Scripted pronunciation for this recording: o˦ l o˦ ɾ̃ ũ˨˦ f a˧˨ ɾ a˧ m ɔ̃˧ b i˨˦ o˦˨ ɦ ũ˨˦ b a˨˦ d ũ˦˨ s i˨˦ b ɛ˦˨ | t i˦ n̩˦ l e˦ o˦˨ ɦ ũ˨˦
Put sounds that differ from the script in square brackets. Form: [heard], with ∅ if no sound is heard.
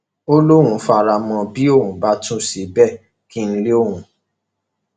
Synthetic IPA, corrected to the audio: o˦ l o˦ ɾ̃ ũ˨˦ f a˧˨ ɾ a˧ m ɔ̃˧ b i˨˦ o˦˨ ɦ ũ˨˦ b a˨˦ [t] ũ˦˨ s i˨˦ b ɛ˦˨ | [k] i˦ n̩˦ l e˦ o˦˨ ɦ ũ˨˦